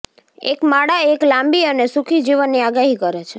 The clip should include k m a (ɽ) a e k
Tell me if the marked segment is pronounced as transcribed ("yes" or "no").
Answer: yes